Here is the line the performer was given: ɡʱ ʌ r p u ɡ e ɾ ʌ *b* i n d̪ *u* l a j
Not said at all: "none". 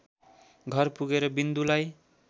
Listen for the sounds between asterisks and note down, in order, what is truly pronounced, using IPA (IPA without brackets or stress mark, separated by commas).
b, u